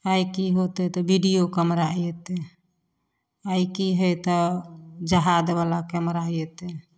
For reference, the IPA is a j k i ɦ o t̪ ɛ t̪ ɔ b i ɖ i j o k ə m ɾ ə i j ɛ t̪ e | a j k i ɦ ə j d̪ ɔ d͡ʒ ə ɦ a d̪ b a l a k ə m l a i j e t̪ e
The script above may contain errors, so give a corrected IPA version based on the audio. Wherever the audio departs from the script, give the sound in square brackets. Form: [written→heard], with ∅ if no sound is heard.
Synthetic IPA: a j k i ɦ o t̪ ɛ t̪ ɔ b i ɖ i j o k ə m ɾ [ə→a] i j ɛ t̪ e | a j k i ɦ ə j [d̪→t̪] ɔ d͡ʒ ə ɦ a d̪ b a l a k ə m [l→ɾ] a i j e t̪ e